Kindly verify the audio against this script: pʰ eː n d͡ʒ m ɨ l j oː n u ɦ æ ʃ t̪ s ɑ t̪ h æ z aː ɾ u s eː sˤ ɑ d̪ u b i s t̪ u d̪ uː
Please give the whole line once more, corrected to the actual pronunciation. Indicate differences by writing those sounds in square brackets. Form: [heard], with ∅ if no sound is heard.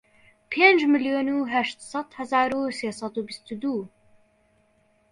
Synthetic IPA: pʰ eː n d͡ʒ m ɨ l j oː n u ɦ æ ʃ t̪ s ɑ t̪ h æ z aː ɾ u s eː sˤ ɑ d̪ u b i s t̪ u d̪ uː